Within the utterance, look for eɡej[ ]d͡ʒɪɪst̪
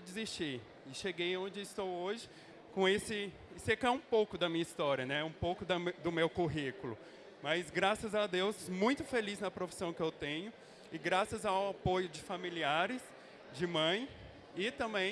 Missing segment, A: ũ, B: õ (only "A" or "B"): B